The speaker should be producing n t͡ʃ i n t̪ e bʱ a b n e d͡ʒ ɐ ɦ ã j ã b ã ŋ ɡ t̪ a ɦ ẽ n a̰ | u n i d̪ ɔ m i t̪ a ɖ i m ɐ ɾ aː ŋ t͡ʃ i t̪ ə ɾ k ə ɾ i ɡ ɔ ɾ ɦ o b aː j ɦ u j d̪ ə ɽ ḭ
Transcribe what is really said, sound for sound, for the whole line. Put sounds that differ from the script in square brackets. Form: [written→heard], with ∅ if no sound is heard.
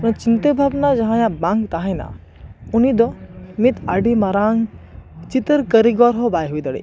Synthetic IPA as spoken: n t͡ʃ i n t̪ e bʱ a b n [e→a] d͡ʒ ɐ ɦ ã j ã b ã ŋ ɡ t̪ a ɦ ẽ n a̰ | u n i d̪ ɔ m i t̪ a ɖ i m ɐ ɾ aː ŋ t͡ʃ i t̪ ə ɾ k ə ɾ i ɡ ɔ ɾ ɦ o b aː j ɦ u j d̪ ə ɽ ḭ

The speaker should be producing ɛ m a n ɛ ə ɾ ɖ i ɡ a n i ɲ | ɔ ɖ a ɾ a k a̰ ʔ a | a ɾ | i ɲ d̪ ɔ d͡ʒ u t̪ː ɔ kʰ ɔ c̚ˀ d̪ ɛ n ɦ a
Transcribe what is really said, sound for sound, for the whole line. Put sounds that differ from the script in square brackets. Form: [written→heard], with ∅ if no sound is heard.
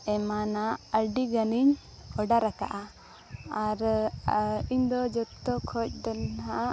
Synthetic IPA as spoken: ɛ m a n [ɛ→a] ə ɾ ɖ i ɡ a n i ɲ | ɔ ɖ a ɾ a k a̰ ʔ a | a ɾ | i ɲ d̪ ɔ d͡ʒ [u→ɔ] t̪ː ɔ kʰ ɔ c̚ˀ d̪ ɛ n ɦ a

